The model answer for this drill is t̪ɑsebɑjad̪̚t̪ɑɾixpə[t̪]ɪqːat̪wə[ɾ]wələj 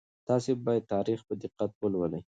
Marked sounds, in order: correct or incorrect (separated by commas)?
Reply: incorrect, incorrect